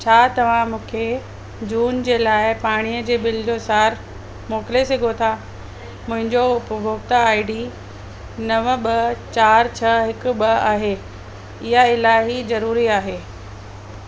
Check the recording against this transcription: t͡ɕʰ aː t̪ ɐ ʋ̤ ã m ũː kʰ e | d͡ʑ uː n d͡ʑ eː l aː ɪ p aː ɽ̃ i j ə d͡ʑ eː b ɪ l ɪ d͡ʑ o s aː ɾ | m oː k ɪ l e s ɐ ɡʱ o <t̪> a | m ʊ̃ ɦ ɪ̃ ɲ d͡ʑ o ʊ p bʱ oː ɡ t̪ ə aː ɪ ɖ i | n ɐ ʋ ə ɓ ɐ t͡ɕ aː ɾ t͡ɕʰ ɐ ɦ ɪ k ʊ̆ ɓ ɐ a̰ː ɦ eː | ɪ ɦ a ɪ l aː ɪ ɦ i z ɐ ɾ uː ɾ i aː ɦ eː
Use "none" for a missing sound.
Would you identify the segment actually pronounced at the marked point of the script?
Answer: t̪ʰ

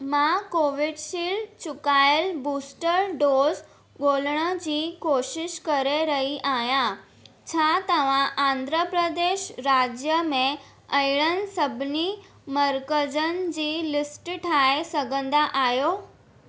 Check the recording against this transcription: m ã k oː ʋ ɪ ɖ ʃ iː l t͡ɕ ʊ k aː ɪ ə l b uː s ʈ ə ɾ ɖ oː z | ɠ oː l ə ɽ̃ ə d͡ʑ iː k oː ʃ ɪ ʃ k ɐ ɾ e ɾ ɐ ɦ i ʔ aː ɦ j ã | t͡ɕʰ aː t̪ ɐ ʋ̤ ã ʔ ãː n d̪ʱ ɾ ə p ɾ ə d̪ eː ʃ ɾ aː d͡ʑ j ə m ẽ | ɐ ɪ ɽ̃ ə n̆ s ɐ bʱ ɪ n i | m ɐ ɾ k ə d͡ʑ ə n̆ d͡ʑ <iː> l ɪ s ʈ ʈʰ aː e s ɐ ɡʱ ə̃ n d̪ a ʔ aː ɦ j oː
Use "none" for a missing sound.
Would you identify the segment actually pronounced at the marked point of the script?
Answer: iː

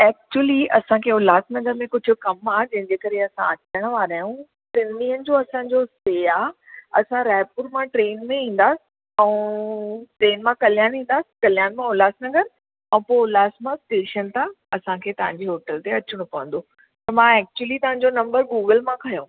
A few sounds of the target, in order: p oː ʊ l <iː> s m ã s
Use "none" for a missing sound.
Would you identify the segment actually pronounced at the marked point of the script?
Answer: aː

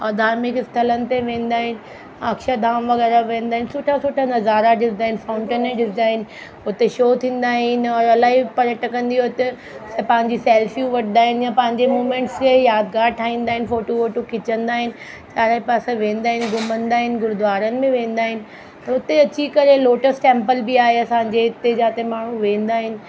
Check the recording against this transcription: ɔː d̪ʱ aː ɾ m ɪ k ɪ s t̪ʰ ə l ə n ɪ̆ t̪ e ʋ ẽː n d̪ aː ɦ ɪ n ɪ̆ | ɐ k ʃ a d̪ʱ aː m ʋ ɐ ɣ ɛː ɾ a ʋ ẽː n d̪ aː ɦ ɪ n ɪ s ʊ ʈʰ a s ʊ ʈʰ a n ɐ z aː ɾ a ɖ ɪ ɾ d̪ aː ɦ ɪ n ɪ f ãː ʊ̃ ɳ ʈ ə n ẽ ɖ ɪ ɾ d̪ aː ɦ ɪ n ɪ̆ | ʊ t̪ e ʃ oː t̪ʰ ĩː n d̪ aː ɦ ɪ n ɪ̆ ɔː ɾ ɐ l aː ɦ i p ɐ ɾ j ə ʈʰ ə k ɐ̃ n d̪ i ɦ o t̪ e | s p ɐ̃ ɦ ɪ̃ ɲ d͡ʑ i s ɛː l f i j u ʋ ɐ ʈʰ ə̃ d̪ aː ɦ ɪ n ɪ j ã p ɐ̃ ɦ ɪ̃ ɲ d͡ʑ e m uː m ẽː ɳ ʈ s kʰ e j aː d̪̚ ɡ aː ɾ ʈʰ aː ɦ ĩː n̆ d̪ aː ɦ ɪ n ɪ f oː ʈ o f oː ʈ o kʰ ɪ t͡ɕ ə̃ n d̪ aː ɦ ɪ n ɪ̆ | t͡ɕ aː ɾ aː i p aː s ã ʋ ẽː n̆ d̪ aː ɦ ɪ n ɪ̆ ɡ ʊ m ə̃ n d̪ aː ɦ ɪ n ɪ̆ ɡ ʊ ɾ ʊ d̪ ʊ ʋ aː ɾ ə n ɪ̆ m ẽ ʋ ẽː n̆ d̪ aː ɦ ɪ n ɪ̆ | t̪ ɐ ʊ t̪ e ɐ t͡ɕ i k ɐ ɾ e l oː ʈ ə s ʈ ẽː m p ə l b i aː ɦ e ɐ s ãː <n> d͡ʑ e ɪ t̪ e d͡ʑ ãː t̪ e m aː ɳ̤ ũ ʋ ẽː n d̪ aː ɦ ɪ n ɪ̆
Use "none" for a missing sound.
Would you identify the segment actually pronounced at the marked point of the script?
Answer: ɲ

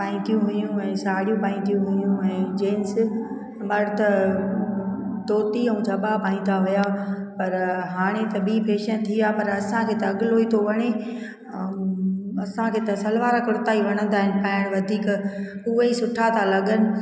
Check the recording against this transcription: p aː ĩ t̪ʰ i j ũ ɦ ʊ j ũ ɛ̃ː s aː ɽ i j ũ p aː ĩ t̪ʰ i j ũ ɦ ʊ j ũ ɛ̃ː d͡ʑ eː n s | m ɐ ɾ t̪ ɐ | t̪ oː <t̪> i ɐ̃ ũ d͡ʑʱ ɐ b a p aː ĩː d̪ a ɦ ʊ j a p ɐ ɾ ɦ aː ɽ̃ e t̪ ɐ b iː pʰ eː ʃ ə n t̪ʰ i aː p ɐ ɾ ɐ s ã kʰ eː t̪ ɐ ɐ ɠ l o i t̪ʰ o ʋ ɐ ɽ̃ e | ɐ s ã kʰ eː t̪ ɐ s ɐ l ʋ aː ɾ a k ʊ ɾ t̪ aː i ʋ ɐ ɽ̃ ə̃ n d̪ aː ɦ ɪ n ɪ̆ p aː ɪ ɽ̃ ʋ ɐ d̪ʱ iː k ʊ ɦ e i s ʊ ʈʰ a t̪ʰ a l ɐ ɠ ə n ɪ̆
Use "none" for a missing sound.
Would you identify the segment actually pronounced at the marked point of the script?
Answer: t̪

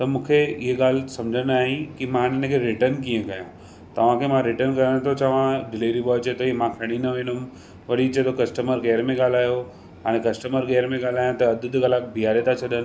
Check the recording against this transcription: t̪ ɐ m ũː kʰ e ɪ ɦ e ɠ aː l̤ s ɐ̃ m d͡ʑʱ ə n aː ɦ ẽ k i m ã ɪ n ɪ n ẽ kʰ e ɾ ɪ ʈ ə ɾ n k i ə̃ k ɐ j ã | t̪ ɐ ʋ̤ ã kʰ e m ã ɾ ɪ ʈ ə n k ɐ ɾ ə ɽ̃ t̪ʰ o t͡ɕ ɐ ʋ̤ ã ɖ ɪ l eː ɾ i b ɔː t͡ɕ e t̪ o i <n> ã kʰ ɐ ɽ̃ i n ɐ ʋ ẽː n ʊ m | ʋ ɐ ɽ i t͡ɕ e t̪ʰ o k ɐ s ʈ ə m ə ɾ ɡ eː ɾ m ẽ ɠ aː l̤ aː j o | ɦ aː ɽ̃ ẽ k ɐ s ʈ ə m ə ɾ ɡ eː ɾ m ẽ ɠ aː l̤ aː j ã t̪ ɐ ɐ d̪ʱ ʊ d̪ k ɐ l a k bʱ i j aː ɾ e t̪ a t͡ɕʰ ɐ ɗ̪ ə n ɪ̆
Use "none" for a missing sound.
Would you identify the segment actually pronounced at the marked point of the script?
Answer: m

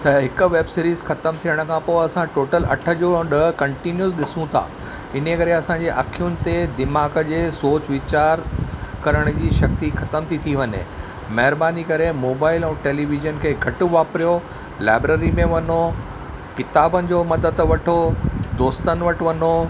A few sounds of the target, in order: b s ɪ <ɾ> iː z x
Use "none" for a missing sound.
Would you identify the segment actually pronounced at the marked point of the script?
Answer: ɾ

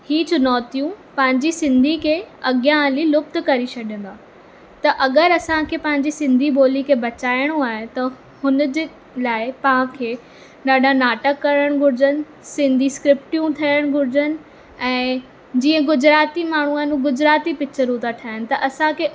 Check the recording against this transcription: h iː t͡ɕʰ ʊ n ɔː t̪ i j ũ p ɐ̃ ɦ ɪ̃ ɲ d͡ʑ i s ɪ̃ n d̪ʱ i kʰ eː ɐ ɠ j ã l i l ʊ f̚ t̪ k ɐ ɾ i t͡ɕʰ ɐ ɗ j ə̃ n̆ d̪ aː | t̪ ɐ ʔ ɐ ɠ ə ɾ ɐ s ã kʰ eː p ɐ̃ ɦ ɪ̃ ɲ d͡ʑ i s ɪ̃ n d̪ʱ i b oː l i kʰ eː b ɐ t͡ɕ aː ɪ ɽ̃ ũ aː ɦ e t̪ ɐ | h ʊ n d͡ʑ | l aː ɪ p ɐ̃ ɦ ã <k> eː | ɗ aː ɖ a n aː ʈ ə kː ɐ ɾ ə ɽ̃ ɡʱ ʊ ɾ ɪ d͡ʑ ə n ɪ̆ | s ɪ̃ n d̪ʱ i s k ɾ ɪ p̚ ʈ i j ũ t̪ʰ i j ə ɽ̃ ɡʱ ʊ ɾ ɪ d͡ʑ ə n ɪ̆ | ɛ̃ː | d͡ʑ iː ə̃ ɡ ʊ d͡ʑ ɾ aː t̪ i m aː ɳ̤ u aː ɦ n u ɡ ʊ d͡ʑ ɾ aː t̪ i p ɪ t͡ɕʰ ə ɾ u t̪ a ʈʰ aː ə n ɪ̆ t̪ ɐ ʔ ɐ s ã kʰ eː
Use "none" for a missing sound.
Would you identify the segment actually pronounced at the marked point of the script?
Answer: kʰ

